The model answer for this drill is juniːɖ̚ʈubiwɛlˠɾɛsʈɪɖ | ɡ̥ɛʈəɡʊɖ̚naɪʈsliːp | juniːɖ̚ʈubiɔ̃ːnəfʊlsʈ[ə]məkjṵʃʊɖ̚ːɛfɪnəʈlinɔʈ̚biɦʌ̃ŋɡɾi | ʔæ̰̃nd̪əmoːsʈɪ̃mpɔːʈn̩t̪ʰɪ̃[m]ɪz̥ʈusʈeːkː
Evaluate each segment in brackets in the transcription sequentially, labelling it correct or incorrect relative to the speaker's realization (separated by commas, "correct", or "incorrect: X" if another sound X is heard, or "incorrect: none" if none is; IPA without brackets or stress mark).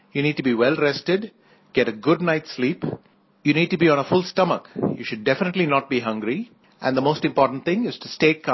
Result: incorrect: ʌ, incorrect: ŋ